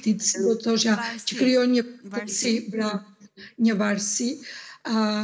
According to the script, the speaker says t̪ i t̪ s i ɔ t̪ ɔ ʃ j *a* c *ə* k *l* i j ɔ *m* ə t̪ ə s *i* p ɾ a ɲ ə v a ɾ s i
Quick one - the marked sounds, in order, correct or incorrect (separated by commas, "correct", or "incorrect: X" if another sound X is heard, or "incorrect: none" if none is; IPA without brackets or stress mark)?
correct, correct, incorrect: ɾ, incorrect: ɲ, correct